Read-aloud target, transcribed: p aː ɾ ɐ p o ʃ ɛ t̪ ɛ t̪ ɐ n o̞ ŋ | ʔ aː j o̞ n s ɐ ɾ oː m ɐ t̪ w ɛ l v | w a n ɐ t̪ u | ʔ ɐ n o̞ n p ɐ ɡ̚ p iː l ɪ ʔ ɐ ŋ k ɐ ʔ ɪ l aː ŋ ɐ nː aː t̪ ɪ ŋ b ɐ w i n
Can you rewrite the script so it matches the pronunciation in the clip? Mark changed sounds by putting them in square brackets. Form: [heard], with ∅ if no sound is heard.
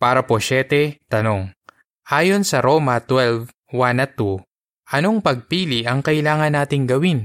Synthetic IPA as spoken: p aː ɾ ɐ p o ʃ ɛ t̪ ɛ t̪ ɐ n o̞ ŋ | ʔ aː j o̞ n s ɐ ɾ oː m ɐ t̪ w ɛ l v | w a n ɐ t̪ u | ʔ ɐ n o̞ [ŋ] p ɐ ɡ̚ p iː l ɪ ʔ ɐ ŋ k ɐ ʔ ɪ l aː ŋ ɐ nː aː t̪ ɪ ŋ [ɡ] ɐ w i n